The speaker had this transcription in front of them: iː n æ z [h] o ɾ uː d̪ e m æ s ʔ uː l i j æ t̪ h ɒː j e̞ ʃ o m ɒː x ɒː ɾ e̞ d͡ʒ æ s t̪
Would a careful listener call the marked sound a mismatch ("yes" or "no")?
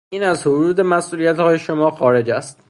no